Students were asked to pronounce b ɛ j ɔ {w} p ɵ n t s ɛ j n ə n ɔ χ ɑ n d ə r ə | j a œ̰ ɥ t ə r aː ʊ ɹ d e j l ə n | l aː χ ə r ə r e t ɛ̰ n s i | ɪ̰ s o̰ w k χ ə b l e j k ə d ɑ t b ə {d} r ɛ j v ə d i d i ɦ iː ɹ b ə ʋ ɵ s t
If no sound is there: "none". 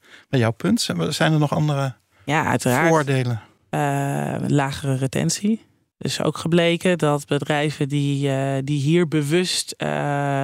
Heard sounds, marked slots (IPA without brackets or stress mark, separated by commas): w, d